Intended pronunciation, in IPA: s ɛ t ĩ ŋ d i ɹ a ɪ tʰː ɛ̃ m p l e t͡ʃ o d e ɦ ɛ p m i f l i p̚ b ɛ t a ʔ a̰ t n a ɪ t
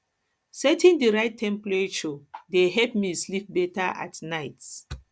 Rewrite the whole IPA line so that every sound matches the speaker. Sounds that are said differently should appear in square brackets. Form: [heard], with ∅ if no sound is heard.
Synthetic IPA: s ɛ t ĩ [n] d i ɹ a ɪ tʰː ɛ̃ m p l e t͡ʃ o d e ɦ ɛ p m i [s] l i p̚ b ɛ t a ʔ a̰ t n a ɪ t